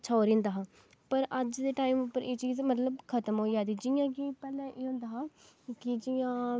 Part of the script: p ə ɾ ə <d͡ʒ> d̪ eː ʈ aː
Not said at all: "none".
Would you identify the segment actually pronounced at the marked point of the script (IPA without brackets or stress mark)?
d͡ʒ